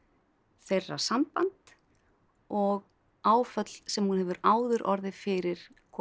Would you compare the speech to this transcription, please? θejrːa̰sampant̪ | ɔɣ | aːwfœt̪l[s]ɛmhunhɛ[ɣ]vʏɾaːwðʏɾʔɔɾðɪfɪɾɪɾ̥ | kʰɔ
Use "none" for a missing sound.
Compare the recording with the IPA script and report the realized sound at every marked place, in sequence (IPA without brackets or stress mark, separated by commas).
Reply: s, none